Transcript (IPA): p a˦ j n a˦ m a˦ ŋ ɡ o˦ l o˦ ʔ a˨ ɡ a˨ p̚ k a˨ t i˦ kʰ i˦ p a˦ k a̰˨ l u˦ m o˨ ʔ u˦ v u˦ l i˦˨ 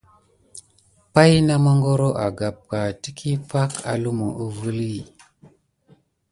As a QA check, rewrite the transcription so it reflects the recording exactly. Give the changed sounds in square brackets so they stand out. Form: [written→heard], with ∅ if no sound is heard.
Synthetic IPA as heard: p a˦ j n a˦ m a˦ ŋ ɡ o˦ [l→ɾ] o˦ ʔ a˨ ɡ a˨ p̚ k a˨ t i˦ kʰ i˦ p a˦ k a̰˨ l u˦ m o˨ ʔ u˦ v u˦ l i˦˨